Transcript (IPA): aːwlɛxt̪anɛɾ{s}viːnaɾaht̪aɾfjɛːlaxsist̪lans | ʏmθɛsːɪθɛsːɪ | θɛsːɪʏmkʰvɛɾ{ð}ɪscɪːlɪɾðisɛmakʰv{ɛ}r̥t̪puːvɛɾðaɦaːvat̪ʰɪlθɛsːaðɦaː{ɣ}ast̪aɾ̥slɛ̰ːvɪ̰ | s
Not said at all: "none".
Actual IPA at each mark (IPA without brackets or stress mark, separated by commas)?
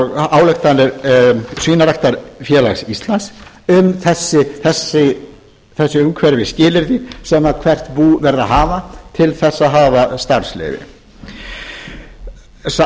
s, v, ɛ, v